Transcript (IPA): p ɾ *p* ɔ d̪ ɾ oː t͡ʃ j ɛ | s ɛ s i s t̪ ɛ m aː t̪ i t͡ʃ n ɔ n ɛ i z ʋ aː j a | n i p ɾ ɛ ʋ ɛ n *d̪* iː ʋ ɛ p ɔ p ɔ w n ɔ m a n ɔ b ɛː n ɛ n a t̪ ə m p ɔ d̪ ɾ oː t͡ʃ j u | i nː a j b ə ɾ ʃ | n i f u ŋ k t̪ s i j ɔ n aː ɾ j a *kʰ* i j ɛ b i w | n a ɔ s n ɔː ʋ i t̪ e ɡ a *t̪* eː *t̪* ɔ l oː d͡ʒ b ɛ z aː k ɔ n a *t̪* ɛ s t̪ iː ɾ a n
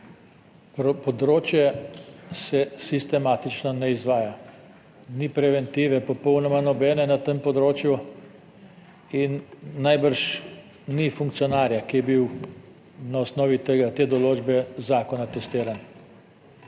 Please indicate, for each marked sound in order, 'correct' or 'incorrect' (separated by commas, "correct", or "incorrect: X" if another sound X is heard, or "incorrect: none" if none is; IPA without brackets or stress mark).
correct, incorrect: t̪, incorrect: k, correct, incorrect: d̪, correct